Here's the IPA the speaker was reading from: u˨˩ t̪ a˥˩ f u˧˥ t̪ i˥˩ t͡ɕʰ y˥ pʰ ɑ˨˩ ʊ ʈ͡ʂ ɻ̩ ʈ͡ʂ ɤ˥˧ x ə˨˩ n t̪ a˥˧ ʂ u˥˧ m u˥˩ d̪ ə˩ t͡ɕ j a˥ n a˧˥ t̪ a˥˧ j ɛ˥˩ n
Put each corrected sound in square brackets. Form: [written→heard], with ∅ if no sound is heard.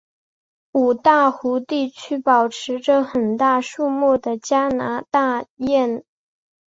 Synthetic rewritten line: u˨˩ t̪ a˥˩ [f→x] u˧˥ t̪ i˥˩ t͡ɕʰ y˥ [pʰ→p] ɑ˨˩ ʊ [ʈ͡ʂ→ʈ͡ʂʰ] ɻ̩ ʈ͡ʂ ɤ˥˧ x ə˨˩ n t̪ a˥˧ ʂ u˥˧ m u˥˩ d̪ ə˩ t͡ɕ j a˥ n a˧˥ t̪ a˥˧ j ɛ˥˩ n